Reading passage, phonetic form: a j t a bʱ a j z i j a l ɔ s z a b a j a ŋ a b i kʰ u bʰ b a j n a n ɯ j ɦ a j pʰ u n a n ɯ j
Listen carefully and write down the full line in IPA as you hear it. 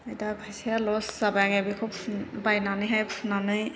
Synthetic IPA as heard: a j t a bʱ a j s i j a l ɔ s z a b a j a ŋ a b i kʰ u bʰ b a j n a n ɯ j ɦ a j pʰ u n a n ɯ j